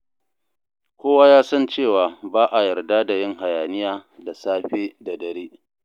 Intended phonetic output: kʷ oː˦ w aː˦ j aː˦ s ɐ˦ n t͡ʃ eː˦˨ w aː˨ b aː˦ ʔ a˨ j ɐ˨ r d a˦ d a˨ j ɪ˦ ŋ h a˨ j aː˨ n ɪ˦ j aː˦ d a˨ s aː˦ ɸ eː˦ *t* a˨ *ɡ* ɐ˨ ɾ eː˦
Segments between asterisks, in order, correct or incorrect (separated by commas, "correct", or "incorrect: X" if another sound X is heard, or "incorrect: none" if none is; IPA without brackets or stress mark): incorrect: d, incorrect: d